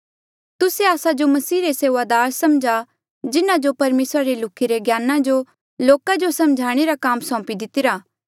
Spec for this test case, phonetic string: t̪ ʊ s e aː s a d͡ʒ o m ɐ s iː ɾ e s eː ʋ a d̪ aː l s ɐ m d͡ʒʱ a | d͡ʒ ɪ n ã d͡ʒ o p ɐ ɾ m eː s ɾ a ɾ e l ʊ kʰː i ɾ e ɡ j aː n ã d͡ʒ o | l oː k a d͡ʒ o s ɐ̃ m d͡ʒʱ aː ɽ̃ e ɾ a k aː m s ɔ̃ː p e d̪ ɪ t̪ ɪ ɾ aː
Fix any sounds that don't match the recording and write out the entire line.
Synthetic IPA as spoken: t̪ ʊ s e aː s a d͡ʒ o m ɐ s iː ɾ e s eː ʋ a d̪ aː ɾ s ɐ m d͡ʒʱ a | d͡ʒ ɪ n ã d͡ʒ o p ɐ ɾ m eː s ɾ a ɾ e l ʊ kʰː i ɾ e ɡ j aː n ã d͡ʒ o | l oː k a d͡ʒ o s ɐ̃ m d͡ʒʱ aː ɽ̃ e ɾ a k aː m s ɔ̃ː p i d̪ ɪ t̪ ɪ ɾ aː

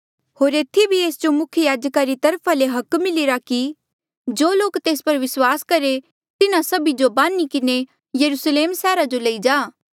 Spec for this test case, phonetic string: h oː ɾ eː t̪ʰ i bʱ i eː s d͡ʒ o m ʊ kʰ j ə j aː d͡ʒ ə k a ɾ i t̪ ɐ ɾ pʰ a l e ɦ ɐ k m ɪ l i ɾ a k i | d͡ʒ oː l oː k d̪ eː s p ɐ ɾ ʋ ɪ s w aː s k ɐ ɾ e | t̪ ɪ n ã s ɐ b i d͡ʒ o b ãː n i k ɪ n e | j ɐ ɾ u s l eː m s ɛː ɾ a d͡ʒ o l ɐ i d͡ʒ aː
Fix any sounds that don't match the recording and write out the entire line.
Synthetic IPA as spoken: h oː ɾ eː t̪ʰ i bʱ i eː s d͡ʒ o m ʊ kʰ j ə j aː d͡ʒ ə k a ɾ i t̪ ɐ ɾ pʰ a l e ɦ ɐ k m ɪ l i ɾ a k i | d͡ʒ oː l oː k t̪ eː s p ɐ ɾ ʋ ɪ s w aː s k ɐ ɾ e | t̪ ɪ n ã s ɐ b i d͡ʒ o b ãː n i k ɪ n e | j ɐ ɾ u s l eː m s ɛː ɾ a d͡ʒ o l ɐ i d͡ʒ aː

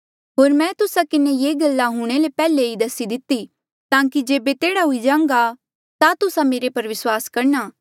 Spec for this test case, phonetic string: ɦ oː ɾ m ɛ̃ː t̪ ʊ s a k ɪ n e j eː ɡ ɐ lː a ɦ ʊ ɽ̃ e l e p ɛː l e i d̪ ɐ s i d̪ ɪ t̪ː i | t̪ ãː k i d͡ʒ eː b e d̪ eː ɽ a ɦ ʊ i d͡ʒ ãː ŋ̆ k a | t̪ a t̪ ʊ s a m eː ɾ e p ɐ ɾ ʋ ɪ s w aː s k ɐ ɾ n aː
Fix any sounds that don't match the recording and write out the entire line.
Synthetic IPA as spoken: ɦ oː ɾ m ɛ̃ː t̪ ʊ s a k ɪ n e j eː ɡ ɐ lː a ɦ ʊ ɽ̃ e l e p ɛː l e i d̪ ɐ s i d̪ ɪ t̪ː i | t̪ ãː k i d͡ʒ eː b e t̪ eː ɽ a ɦ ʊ i d͡ʒ ãː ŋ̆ ɡ a | t̪ a t̪ ʊ s a m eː ɾ e p ɐ ɾ ʋ ɪ s w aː s k ɐ ɾ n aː

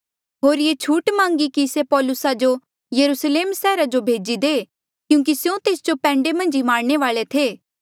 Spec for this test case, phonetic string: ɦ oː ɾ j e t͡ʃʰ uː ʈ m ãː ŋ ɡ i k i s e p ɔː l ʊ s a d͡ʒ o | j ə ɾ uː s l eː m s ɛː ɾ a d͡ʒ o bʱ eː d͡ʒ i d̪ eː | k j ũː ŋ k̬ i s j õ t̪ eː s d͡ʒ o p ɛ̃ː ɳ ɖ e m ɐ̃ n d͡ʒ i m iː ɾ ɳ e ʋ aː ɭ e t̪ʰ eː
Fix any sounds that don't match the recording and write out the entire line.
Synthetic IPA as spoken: ɦ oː ɾ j e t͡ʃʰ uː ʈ m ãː ŋ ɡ i k i s e p ɔː l ʊ s a d͡ʒ o | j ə ɾ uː s l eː m s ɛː ɾ a d͡ʒ o bʱ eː d͡ʒ i d̪ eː | k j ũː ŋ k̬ i s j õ t̪ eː s d͡ʒ o p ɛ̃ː ɳ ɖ e m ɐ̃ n d͡ʒ i m aː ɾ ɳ e ʋ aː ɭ e t̪ʰ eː

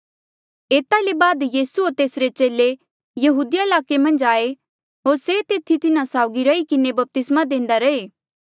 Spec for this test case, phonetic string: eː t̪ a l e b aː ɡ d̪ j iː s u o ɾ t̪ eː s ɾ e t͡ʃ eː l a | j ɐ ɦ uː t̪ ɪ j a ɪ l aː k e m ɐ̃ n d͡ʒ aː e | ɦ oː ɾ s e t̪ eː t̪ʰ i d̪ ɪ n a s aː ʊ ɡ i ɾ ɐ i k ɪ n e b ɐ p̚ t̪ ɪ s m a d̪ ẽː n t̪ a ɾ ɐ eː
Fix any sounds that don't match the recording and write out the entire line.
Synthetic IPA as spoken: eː t̪ a l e b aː d̪ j iː s u o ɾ t̪ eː s ɾ e t͡ʃ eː l e | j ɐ ɦ uː d̪ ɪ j a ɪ l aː k e m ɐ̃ n d͡ʒ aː e | ɦ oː ɾ s e t̪ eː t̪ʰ i t̪ ɪ n a s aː ʊ ɡ i ɾ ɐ i k ɪ n e b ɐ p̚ t̪ ɪ s m a d̪ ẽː n d̪ a ɾ ɐ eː

